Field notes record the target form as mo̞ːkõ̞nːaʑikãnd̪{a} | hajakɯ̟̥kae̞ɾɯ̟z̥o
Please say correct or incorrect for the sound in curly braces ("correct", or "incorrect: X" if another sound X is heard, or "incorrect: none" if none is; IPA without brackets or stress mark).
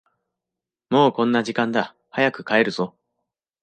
correct